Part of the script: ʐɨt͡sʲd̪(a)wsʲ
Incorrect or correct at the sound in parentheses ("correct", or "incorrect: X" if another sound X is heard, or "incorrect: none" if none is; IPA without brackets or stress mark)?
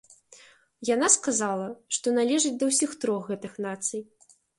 incorrect: ɐ